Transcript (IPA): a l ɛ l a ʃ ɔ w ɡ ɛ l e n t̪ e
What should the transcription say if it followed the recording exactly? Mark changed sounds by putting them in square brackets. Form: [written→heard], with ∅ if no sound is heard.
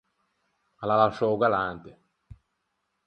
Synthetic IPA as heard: a l [ɛ→a] l a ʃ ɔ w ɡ [ɛ→a] l [e→a] n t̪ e